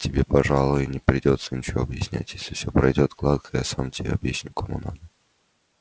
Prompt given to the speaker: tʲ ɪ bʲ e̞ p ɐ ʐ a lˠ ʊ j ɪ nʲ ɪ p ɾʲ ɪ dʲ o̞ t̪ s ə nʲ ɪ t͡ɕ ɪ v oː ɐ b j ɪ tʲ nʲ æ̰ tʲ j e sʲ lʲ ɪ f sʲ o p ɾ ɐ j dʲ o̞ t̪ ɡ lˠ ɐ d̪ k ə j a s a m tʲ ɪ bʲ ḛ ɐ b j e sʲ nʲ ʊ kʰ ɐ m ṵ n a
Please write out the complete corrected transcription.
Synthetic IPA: tʲ ɪ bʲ e̞ p ɐ ʐ a lˠ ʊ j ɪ nʲ ɪ p ɾʲ ɪ dʲ o̞ t̪ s ə nʲ ɪ t͡ɕ ɪ v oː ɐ b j ɪ sʲ nʲ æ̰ tʲ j e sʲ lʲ ɪ f sʲ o p ɾ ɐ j dʲ o̞ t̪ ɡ lˠ a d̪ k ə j a s a m tʲ ɪ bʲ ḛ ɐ b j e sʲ nʲ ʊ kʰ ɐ m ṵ n a